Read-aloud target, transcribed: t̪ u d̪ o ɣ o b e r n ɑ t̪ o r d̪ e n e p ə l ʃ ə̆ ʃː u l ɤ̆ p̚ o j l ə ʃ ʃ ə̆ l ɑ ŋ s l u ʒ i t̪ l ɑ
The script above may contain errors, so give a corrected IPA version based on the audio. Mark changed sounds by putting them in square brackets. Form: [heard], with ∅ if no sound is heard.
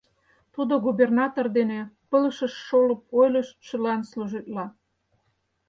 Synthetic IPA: t̪ u d̪ o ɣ [u] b e r n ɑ t̪ o r d̪ e n e p ə l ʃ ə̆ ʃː [o] l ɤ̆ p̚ o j l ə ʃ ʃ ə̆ l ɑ [n] s l u ʒ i t̪ l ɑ